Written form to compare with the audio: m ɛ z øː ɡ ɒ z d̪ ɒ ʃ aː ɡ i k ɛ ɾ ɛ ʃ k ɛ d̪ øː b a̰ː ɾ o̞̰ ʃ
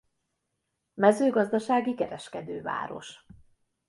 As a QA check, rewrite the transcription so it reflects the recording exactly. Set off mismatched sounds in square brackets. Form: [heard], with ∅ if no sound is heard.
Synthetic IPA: m ɛ z øː ɡ ɒ z d̪ ɒ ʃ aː ɡ i k ɛ ɾ ɛ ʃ k ɛ d̪ øː [v] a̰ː ɾ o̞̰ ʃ

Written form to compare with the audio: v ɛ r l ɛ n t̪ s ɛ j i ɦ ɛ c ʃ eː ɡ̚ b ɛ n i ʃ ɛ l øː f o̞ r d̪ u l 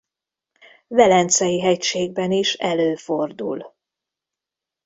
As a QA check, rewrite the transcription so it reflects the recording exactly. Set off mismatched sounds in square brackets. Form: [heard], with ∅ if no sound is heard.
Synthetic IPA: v ɛ [∅] l ɛ n t̪ s ɛ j i ɦ ɛ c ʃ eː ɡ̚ b ɛ n i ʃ ɛ l øː f o̞ r d̪ u l

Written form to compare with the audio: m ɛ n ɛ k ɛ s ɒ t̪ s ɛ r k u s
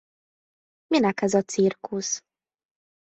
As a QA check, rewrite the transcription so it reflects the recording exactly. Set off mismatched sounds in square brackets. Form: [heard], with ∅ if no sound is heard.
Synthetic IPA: m [i] n ɛ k ɛ [z] ɒ t̪ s [i] r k u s

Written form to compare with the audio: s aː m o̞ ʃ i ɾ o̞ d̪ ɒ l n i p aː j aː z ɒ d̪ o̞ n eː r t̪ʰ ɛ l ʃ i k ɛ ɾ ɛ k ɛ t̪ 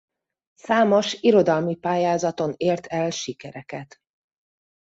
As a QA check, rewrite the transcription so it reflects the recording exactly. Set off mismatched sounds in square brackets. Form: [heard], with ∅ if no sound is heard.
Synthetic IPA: s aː m o̞ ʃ i ɾ o̞ d̪ ɒ l [m] i p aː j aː z ɒ [t̪] o̞ n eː r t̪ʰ ɛ l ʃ i k ɛ ɾ ɛ k ɛ t̪

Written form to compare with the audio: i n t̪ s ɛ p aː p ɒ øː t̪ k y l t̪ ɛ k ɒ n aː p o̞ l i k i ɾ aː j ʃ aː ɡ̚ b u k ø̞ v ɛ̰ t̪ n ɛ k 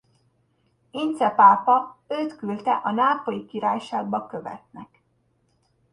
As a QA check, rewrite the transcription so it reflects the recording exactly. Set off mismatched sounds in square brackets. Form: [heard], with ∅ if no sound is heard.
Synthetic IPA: i n t̪ s ɛ p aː p ɒ øː t̪ k y l t̪ ɛ [ʔ] ɒ n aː p o̞ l i k i ɾ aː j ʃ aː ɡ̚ b [ɒ] k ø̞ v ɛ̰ t̪ n ɛ k

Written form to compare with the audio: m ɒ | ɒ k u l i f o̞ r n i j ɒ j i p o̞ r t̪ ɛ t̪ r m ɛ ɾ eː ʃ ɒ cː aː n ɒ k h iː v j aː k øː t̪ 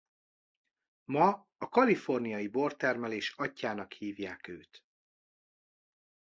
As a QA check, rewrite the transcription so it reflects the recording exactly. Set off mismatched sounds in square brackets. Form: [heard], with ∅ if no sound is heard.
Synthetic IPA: m ɒ | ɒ k [ɒ] l i f o̞ r n i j ɒ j i [b] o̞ r t̪ ɛ [∅] r m ɛ [l] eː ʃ ɒ cː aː n ɒ k h iː v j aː k øː t̪

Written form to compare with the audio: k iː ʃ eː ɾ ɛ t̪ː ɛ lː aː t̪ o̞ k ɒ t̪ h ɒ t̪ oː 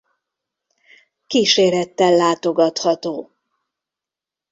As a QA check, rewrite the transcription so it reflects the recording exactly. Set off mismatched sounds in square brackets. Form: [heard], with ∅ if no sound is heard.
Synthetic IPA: k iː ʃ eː ɾ ɛ t̪ː ɛ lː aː t̪ o̞ [ɡ] ɒ t̪ h ɒ t̪ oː

